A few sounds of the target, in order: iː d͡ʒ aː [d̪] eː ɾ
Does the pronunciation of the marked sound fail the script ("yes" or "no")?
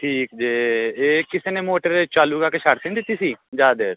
no